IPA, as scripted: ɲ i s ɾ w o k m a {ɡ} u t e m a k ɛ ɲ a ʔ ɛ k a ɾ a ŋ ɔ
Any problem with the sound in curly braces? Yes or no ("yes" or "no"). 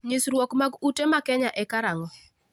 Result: no